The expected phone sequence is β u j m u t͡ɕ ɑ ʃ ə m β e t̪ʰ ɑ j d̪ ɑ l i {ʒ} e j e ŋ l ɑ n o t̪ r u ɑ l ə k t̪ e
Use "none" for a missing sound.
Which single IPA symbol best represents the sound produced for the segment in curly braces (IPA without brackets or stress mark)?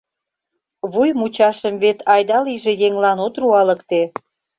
ʒ